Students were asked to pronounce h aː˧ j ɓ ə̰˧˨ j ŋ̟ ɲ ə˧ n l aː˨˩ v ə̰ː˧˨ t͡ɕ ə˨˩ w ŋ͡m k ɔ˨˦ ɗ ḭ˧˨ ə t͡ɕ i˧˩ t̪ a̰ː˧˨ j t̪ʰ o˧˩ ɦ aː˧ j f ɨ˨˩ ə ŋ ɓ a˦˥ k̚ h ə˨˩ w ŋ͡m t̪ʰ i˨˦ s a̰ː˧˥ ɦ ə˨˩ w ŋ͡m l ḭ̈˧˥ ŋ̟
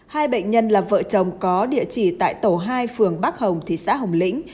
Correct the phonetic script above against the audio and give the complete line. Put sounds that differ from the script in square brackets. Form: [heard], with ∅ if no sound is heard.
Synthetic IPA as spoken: h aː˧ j ɓ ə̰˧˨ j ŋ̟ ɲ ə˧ n l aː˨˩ v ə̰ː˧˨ t͡ɕ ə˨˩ w ŋ͡m k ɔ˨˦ ɗ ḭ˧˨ ə t͡ɕ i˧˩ t̪ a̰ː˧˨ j [t̪] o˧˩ ɦ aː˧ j f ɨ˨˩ ə ŋ ɓ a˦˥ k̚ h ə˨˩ w ŋ͡m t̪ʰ [i˨˩] s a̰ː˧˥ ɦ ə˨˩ w ŋ͡m l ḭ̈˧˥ ŋ̟